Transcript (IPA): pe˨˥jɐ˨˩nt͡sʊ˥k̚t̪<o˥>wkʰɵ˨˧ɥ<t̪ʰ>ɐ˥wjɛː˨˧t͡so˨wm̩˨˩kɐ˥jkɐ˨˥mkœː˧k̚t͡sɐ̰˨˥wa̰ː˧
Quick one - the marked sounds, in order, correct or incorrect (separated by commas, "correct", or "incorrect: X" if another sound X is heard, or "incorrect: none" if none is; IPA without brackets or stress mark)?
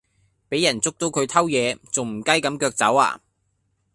incorrect: o˨˥, correct